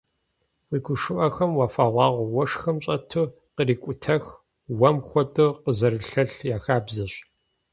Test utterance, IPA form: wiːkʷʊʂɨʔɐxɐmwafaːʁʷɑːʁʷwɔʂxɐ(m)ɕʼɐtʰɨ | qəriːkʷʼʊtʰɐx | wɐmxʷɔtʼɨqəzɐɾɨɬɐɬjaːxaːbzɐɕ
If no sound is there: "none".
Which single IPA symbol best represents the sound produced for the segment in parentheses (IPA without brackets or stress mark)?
m